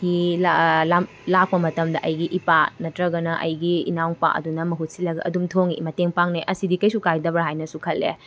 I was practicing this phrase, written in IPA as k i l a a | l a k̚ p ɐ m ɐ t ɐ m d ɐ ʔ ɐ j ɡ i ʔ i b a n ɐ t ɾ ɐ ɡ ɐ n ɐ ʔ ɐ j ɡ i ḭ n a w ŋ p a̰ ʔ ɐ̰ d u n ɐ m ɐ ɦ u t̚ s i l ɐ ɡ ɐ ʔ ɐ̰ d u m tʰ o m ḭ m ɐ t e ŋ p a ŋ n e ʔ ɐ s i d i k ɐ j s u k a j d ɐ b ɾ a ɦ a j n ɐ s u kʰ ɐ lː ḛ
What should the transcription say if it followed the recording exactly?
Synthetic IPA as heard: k i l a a | l a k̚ p ɐ m ɐ t ɐ m d ɐ ʔ ɐ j ɡ i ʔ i p a n ɐ t ɾ ɐ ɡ ɐ n ɐ ʔ ɐ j ɡ i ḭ n a w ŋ p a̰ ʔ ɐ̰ d u n ɐ m ɐ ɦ u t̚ s i l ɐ ɡ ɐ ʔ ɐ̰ d u m tʰ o ŋ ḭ m ɐ t e ŋ p a ŋ n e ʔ ɐ s i d i k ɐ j s u k a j d ɐ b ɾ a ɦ a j n ɐ s u kʰ ɐ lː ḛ